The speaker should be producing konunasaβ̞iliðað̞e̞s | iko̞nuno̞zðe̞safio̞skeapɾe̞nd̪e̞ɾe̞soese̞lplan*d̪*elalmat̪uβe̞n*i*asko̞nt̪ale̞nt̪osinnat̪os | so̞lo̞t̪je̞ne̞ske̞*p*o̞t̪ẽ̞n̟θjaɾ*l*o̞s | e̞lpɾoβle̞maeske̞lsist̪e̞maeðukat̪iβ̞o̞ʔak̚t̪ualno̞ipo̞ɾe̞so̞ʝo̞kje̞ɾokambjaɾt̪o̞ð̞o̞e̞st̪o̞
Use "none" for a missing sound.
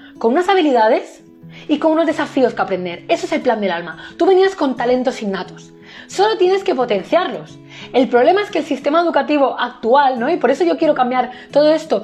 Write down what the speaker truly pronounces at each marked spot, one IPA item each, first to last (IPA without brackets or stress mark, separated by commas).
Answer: d̪, i, p, l